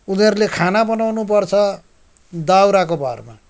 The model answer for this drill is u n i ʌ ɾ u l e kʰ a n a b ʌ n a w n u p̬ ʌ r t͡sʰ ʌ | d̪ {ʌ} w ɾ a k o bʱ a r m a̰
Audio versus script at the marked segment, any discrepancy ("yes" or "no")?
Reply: yes